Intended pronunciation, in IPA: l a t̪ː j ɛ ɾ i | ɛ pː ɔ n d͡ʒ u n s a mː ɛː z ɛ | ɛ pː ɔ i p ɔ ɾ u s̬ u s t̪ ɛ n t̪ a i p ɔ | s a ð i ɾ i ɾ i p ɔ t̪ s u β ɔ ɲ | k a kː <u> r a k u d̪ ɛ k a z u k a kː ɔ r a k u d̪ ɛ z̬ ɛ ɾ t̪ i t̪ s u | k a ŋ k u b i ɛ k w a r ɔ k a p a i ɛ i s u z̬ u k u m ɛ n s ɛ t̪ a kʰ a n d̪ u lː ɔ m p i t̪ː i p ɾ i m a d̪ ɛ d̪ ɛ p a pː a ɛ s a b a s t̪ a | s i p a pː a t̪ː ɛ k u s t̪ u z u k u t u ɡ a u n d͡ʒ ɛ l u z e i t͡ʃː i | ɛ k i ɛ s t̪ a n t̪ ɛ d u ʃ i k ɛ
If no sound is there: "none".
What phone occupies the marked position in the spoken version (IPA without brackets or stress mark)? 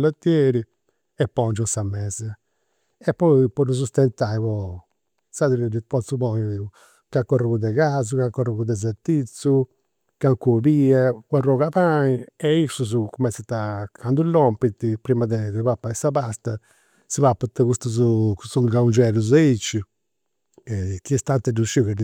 ɔ